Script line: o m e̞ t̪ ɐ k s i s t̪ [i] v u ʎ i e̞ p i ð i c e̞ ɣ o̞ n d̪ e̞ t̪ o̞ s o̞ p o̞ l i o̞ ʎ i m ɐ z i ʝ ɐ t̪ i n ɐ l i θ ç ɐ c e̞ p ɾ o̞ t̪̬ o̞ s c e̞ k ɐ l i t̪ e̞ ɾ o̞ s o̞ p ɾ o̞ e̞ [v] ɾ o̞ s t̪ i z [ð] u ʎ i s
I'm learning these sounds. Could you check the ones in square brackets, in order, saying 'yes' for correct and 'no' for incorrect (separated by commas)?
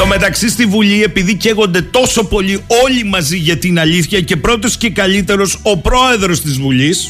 yes, no, no